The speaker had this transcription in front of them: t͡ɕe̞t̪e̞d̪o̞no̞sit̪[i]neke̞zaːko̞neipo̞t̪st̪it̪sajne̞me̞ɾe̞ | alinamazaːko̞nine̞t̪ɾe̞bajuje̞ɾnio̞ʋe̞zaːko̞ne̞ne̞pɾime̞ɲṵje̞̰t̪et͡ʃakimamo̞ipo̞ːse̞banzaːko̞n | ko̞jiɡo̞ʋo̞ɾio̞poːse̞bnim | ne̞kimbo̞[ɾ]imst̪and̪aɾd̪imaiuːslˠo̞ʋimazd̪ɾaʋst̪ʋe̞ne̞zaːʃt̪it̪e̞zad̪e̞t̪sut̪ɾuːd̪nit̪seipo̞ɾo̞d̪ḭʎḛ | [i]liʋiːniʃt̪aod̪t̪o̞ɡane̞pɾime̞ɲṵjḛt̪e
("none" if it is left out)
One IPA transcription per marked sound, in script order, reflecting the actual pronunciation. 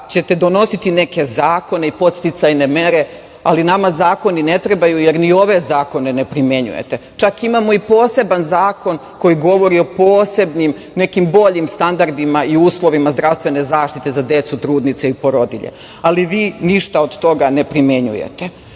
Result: i, ʎ, a

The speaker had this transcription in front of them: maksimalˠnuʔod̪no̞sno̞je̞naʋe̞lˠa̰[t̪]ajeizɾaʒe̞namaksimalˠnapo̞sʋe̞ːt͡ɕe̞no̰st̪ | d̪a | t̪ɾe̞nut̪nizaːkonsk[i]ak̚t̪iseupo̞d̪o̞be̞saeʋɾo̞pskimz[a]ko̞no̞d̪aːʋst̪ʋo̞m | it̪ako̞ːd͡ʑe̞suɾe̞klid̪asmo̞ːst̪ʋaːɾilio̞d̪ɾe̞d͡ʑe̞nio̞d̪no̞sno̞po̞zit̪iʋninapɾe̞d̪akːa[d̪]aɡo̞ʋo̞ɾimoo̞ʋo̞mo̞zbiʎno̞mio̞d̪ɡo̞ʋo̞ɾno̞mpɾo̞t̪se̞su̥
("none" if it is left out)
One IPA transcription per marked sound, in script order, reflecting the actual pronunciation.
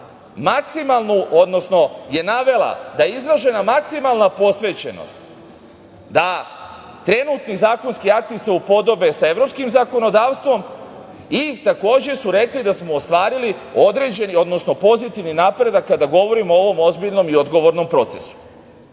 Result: d̪, i, a, d̪

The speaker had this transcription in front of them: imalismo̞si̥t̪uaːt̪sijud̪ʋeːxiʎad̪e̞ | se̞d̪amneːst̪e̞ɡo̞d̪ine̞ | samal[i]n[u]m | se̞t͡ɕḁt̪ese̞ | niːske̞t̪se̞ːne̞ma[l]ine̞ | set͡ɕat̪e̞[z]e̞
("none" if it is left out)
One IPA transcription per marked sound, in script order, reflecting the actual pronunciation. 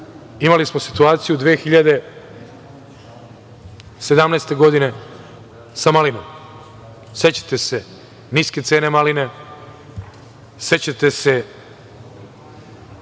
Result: i, o, l, s

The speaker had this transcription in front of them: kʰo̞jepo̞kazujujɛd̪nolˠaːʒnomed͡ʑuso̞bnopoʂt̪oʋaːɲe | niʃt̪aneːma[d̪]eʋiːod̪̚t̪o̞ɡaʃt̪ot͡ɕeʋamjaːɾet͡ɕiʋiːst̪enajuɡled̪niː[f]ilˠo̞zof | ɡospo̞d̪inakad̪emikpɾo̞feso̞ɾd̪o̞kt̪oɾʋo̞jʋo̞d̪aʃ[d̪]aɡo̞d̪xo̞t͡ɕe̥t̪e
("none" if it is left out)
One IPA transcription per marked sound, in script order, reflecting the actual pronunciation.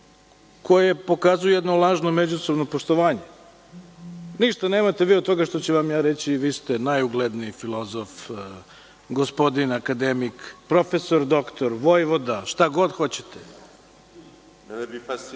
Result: t̪, f, t̪

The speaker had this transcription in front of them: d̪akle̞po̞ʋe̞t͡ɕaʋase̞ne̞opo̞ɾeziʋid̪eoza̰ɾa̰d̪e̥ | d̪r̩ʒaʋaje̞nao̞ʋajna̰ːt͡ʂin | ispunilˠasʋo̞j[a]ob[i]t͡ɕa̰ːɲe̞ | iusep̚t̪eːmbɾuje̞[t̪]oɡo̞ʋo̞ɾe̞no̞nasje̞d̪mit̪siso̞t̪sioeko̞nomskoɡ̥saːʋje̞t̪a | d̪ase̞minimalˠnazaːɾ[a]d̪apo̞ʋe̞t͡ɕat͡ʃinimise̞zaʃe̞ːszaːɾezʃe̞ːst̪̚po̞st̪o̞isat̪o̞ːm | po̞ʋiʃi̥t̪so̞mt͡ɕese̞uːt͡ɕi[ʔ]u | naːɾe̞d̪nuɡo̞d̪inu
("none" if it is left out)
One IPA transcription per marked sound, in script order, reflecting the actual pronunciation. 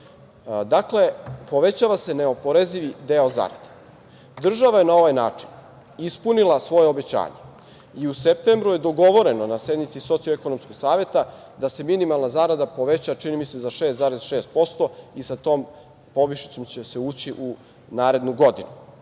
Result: e, e, d̪, a, ʔ

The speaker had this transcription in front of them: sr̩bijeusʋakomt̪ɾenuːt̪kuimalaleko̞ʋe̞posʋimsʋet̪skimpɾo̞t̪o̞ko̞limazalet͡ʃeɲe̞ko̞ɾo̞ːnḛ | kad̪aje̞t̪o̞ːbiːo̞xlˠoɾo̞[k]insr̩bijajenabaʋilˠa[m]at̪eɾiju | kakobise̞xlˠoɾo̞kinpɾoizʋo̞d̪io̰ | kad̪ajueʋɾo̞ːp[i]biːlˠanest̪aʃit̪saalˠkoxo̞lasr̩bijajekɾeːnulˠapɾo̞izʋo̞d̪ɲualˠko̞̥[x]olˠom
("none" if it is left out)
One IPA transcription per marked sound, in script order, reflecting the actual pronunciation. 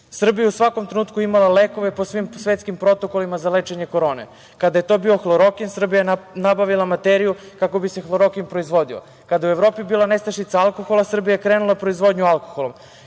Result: k, m, i, x

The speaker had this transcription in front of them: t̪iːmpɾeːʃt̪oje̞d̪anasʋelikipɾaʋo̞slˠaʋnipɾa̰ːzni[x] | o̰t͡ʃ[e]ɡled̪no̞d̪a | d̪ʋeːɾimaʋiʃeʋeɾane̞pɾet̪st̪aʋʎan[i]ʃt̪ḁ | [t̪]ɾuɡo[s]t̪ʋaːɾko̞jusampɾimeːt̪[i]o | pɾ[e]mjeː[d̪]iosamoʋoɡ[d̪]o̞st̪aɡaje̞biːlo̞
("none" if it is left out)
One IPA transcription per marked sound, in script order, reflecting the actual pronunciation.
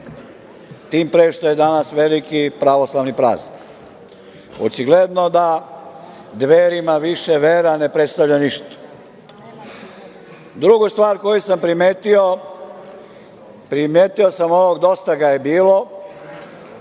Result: k, i, i, d̪, s, i, i, t̪, d̪

